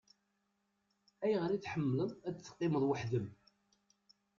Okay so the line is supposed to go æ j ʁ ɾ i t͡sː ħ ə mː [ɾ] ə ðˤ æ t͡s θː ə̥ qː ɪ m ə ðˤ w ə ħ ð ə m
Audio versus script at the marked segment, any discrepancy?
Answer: yes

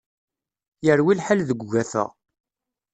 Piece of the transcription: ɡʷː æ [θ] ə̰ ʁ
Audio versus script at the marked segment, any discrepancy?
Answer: no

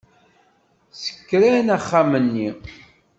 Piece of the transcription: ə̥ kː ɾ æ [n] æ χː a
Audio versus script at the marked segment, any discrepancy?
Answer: no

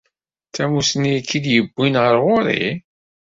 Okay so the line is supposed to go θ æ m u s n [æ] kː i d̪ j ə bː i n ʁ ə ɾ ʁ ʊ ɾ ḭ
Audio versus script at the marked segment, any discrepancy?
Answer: yes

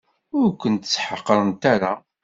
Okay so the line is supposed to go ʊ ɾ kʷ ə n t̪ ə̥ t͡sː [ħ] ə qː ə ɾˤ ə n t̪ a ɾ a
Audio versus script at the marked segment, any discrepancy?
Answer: no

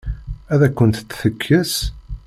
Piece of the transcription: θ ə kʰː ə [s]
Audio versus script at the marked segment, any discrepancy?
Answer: no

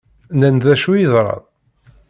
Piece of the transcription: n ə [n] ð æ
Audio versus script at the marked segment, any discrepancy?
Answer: no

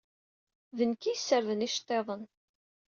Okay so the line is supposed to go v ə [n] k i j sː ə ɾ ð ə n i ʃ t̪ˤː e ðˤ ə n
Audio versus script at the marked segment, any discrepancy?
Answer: no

